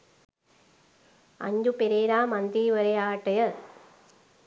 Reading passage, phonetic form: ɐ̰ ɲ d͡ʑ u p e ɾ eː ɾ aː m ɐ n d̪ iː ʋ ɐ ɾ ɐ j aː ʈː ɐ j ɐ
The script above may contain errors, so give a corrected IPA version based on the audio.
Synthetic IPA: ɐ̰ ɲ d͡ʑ u p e ɾ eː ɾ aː m ɐ n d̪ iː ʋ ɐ ɾ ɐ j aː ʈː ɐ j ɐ